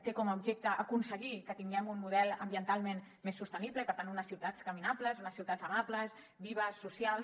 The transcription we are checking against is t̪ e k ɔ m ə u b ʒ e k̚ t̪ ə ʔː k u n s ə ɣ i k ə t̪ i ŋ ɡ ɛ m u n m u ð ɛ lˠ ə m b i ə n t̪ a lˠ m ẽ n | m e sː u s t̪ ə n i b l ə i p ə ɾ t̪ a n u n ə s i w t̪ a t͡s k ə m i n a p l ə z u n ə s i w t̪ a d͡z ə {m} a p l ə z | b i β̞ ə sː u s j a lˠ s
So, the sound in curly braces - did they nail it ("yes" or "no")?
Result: yes